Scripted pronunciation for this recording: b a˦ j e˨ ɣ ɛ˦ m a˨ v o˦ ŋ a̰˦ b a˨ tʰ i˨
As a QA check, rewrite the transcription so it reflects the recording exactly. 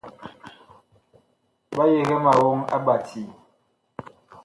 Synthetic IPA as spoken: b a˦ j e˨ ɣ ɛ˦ m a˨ w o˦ ŋ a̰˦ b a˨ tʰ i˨